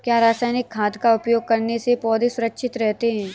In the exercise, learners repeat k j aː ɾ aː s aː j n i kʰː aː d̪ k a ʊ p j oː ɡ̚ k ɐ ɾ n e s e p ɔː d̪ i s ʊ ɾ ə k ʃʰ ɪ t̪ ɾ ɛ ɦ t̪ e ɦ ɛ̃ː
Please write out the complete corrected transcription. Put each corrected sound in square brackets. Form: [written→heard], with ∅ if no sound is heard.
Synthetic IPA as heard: k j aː ɾ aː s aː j n [i→ɪ] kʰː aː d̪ k a ʊ p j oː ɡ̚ k ɐ ɾ n e s e p ɔː d̪ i s ʊ ɾ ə k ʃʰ ɪ t̪ ɾ ɛ ɦ t̪ e ɦ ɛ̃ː